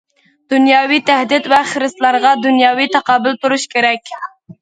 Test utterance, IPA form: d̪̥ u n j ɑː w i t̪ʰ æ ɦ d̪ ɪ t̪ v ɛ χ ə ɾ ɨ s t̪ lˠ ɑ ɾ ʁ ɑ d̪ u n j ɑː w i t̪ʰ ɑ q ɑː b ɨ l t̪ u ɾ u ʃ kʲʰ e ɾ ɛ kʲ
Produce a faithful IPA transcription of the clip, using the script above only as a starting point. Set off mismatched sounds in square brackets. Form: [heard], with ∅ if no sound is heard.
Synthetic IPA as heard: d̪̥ u n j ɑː w i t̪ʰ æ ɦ d̪ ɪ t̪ v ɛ χ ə ɾ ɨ s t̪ lˠ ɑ ɾ ʁ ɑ d̪ u n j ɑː w i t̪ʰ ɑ q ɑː b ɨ l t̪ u ɾ u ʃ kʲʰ e ɾ ɛ kʲ